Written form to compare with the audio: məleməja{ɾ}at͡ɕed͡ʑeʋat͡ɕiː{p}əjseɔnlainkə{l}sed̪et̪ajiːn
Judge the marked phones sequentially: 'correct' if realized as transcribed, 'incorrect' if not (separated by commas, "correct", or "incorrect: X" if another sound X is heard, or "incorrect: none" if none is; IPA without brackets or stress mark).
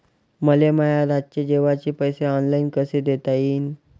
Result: correct, correct, incorrect: none